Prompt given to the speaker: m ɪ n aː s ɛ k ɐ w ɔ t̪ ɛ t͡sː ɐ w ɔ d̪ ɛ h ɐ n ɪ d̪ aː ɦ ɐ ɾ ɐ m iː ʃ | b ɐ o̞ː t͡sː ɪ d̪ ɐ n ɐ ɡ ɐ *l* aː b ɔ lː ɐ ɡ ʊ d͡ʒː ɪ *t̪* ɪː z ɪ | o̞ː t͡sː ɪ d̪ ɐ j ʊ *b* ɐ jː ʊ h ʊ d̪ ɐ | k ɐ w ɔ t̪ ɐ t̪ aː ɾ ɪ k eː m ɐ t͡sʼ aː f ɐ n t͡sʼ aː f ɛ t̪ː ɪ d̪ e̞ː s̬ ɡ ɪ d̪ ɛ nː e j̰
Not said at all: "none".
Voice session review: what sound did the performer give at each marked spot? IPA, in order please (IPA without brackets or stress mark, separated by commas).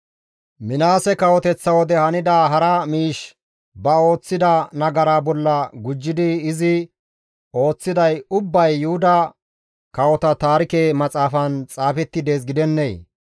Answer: ɾ, d̪, bː